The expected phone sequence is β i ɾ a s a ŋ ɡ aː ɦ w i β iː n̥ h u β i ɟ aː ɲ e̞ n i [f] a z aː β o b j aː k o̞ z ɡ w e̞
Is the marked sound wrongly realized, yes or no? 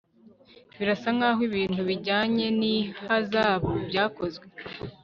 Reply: yes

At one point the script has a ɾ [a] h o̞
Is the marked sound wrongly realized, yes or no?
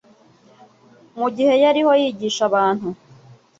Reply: yes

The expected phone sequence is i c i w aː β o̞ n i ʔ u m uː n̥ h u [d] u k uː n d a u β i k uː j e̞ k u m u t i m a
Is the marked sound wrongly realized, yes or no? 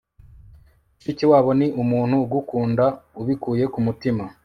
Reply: yes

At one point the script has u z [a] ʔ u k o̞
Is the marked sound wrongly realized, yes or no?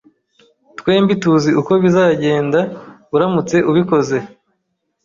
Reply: yes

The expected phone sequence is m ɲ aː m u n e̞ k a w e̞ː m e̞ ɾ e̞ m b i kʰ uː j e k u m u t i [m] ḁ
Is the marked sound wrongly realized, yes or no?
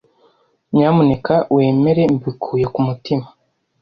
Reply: no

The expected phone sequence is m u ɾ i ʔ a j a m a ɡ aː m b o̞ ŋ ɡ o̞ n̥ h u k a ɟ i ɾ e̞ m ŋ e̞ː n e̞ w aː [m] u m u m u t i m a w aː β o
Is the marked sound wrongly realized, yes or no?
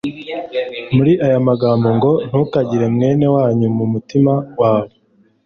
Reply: yes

